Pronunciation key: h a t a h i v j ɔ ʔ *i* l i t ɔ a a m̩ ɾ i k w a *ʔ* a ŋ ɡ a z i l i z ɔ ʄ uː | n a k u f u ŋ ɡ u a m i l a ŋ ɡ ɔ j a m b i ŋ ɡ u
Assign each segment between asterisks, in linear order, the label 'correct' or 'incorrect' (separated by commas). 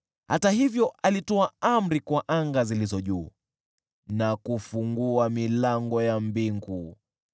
incorrect, correct